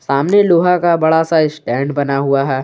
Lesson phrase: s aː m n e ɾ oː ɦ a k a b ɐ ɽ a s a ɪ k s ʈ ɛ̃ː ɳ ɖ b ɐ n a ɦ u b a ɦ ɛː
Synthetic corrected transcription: s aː m n e l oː ɦ a k a b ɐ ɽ a s a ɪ s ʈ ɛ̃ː ɳ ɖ b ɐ n a ɦ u a ɦ ɛː